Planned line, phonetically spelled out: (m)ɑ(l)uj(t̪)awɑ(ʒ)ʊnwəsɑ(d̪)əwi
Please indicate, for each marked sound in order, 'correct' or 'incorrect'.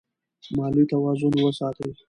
correct, correct, correct, incorrect: z, incorrect: t̪

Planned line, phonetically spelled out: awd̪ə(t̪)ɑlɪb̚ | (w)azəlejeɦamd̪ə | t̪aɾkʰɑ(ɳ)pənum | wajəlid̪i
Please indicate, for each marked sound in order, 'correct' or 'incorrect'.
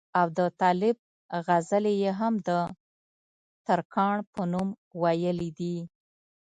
correct, incorrect: ɣ, correct

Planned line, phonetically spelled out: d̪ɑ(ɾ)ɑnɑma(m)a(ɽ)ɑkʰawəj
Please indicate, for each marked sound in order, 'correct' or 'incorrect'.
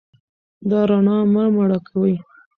correct, correct, correct

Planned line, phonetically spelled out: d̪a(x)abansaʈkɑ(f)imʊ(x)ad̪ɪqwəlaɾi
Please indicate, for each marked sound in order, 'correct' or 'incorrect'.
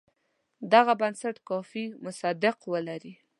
incorrect: ɣ, correct, incorrect: s

